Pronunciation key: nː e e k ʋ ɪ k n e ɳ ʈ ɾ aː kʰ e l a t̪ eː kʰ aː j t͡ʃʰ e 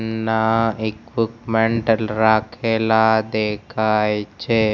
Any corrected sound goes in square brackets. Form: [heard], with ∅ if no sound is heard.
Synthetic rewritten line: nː [a] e k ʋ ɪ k [m] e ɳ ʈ ɾ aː kʰ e l a [d̪] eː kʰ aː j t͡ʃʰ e